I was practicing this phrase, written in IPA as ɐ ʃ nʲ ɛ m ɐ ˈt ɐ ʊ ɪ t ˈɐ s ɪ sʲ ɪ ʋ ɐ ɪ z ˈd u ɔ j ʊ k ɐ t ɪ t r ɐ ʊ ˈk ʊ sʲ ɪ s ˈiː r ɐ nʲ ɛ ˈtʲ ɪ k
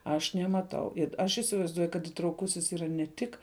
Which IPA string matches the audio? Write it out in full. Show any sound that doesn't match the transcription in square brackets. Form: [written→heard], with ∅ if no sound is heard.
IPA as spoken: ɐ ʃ nʲ ɛ m ɐ ˈt ɐ ʊ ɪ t ˈɐ [s→ʃ] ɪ sʲ ɪ ʋ ɐ ɪ z ˈd u ɔ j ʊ k ɐ t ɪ t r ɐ ʊ ˈk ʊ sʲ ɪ s ˈiː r ɐ nʲ ɛ ˈtʲ ɪ k